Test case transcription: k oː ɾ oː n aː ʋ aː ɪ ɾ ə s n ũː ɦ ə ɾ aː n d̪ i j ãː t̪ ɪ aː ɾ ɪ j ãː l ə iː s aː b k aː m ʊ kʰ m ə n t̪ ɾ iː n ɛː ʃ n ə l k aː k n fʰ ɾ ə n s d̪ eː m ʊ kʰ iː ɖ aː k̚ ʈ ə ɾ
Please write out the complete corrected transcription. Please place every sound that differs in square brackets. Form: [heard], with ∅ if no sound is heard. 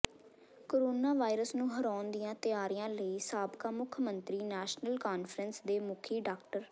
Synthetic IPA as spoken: k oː ɾ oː n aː ʋ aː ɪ ɾ ə s n ũː ɦ ə ɾ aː n d̪ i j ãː t̪ ɪ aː ɾ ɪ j ãː l ə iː s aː b k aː m ʊ kʰ m ə n t̪ ɾ iː n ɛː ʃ n ə l k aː [∅] n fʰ ɾ ə n s d̪ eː m ʊ kʰ iː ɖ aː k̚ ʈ ə ɾ